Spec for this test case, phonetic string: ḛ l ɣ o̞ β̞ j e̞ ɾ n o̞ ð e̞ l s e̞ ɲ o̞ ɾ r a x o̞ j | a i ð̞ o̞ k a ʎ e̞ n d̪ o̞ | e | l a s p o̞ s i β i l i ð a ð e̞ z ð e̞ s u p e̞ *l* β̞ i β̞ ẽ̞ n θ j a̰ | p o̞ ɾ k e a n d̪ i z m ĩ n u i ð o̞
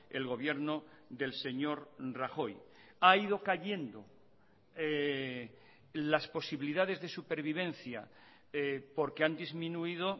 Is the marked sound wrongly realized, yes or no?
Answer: yes